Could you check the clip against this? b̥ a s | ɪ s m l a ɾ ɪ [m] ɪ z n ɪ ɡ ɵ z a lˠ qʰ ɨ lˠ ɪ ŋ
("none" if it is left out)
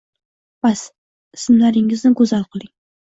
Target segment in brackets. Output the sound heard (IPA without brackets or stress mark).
ŋ